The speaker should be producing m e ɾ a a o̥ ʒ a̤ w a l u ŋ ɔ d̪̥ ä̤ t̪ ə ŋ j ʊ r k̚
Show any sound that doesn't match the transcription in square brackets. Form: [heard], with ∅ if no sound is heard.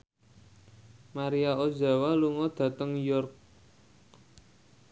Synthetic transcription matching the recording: m [a] ɾ [i] a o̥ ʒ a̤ w a l u ŋ ɔ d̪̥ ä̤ t̪ ə ŋ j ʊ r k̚